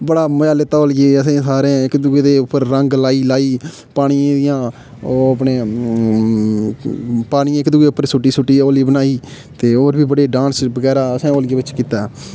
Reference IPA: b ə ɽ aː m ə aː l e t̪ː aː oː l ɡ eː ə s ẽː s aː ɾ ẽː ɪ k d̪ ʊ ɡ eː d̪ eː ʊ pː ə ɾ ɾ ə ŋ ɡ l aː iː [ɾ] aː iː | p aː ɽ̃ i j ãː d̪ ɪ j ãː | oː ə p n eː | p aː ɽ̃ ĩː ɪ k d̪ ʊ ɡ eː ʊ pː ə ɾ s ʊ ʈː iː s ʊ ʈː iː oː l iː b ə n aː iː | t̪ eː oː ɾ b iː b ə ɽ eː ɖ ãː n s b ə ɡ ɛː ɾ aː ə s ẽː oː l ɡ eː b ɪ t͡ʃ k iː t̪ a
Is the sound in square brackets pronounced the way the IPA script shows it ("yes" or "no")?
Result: no